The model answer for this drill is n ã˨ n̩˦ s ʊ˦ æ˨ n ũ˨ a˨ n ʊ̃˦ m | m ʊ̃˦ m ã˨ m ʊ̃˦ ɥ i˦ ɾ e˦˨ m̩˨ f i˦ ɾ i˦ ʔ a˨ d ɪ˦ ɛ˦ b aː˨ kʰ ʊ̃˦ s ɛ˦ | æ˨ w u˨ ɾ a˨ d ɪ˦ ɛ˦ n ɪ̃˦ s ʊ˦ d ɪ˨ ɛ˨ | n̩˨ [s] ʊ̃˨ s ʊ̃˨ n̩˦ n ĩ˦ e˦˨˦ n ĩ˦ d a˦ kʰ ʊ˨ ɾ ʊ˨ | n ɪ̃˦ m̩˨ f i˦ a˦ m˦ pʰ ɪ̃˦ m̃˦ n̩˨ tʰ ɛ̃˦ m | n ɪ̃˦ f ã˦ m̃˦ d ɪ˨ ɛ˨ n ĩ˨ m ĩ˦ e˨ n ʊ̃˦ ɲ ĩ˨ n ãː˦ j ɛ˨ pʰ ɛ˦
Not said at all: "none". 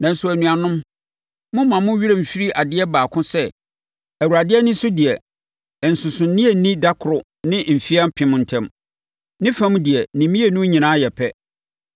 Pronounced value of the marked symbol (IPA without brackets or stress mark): s